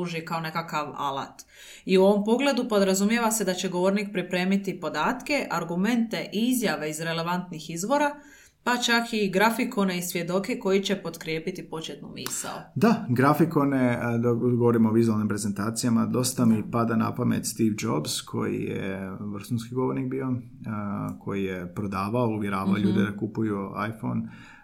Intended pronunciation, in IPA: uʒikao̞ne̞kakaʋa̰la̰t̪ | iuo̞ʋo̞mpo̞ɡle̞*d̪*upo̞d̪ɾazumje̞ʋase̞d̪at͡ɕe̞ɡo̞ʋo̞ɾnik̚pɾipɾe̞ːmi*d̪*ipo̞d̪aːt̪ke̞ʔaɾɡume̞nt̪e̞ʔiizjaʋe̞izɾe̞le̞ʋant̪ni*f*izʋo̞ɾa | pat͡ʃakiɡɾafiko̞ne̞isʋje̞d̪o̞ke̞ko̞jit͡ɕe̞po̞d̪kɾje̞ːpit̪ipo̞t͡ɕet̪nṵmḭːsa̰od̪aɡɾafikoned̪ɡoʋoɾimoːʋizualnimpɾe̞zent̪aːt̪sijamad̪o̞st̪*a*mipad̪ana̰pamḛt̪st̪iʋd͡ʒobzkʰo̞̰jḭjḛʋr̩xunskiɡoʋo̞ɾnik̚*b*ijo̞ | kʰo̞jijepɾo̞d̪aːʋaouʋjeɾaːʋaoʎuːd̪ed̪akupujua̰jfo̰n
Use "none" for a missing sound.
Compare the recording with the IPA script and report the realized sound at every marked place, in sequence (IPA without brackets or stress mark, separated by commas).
d̪, t̪, x, a, b